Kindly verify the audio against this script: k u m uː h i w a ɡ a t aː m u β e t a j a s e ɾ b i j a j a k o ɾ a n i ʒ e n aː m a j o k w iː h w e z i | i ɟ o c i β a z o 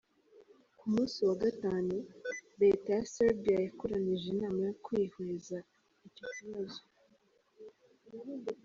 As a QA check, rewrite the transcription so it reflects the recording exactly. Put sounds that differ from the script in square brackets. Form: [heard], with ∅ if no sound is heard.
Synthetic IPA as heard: k u m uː [s] i w a ɡ a t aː [n] u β e t a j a s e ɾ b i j a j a k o ɾ a n i ʒ e n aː m a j o k w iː h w e z [a] | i [c] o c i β a z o